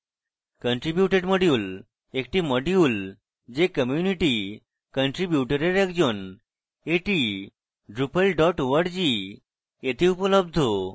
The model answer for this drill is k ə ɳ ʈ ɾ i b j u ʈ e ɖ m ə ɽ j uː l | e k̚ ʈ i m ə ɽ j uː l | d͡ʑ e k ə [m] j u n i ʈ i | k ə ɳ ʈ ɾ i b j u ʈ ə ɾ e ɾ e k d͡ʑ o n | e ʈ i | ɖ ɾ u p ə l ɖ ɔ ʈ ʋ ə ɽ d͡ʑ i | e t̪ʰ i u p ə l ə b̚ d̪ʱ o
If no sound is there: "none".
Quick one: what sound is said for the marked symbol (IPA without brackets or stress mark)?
m